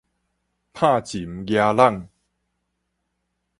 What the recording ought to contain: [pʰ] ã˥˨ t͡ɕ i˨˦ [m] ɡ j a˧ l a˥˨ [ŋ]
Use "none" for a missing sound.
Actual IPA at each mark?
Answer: pʰ, m, ŋ

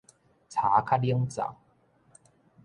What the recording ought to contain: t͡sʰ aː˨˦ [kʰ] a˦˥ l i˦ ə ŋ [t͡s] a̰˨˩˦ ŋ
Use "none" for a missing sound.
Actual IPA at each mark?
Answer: kʰ, t͡s

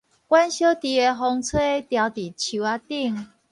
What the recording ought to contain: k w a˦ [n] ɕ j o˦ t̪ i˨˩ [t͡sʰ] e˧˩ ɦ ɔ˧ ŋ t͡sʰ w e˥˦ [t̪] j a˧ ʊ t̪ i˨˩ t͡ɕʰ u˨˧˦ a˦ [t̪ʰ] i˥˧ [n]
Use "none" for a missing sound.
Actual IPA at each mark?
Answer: n, none, t̪, t̪, ŋ

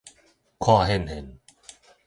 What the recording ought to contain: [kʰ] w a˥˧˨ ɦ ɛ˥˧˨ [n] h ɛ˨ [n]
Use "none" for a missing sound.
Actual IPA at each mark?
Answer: kʰ, n, n

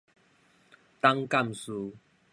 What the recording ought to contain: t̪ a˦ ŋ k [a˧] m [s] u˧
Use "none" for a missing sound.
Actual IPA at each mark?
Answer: a˥˨, s

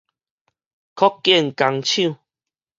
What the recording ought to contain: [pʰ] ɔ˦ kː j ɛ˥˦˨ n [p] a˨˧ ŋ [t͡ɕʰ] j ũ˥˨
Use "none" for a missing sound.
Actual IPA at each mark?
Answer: kʰ, k, t͡ɕʰ

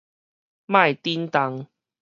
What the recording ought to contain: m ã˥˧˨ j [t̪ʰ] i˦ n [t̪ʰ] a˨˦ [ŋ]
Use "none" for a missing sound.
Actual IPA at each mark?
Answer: t̪, t̪, ŋ

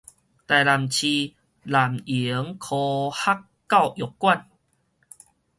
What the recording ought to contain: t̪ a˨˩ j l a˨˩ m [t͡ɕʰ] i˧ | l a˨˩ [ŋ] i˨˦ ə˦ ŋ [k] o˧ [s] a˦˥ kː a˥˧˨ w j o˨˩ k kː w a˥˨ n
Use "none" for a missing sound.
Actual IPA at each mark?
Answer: t͡ɕʰ, m, kʰ, h

